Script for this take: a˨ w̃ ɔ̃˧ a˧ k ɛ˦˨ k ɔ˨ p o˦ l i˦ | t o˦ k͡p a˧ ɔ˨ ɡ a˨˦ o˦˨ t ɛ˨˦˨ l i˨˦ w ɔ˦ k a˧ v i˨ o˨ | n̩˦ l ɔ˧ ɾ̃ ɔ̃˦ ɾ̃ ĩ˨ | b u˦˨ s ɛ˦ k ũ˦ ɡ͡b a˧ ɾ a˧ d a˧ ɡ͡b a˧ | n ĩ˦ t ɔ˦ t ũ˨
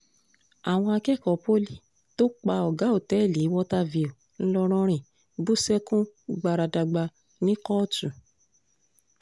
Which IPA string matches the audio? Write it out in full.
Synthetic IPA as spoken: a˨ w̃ ɔ̃˧ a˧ k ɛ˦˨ k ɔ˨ p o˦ l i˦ | t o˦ k͡p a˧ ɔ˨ ɡ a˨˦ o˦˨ t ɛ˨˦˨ l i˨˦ w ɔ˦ t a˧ v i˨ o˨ | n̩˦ l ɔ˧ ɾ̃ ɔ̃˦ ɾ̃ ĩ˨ | b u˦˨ s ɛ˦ k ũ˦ ɡ͡b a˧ ɾ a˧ d a˧ ɡ͡b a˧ | n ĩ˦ k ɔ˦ t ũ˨